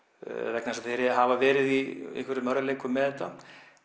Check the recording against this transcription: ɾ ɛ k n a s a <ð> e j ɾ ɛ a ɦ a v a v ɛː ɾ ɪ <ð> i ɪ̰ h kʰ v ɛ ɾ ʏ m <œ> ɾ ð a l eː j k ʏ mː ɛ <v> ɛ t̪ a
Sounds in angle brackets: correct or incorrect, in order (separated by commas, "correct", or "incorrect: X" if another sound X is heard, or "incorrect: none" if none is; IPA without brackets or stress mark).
incorrect: θ, correct, correct, incorrect: ð